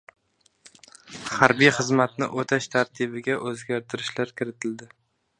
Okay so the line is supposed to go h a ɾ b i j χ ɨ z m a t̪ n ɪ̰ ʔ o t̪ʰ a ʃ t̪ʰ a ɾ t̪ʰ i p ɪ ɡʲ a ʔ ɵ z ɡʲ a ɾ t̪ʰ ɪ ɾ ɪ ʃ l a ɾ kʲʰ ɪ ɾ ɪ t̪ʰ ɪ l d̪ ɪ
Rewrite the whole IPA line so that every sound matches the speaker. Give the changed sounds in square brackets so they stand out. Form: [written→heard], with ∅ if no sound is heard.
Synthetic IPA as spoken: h a ɾ b i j χ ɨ z m a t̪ n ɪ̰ ʔ o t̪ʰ a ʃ t̪ʰ a ɾ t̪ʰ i [p→b] ɪ ɡʲ a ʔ ɵ z ɡʲ a ɾ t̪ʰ ɪ ɾ ɪ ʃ l a ɾ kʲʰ ɪ ɾ ɪ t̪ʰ ɪ l d̪ ɪ